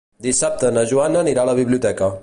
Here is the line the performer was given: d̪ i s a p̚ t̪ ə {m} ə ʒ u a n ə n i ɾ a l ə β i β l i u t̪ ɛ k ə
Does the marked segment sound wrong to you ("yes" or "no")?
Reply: yes